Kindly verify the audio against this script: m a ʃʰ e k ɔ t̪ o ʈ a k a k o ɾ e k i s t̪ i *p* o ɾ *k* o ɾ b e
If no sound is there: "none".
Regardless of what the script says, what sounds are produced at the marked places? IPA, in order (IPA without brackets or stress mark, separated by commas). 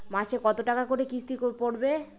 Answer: k, p